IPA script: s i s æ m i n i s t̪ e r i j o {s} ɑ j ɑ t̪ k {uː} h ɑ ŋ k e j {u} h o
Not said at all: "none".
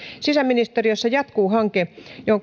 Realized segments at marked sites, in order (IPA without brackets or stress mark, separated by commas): sː, uː, o